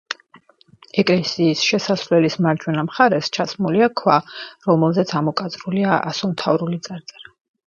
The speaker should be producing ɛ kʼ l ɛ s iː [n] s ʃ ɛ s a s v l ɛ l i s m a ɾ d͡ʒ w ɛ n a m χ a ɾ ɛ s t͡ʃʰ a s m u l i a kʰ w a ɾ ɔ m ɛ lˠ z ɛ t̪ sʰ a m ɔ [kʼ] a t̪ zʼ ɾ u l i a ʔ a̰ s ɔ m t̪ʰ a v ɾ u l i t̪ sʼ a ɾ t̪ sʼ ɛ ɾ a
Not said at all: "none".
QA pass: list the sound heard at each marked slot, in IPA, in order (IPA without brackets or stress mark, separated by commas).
none, kʼ